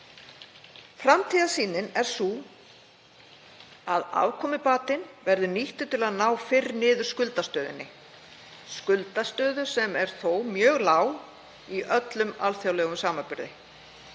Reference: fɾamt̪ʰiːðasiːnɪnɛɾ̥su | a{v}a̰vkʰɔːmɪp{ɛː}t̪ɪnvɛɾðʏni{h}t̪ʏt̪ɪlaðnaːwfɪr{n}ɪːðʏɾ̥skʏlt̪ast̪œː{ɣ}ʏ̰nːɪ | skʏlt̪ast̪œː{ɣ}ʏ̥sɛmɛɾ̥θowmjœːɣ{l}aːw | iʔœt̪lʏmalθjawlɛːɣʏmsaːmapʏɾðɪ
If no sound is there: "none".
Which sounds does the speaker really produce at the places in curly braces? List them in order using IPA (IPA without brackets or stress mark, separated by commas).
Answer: ð, aː, h, n, ð, ð, l